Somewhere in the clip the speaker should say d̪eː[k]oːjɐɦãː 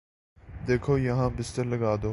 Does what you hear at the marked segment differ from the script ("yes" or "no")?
yes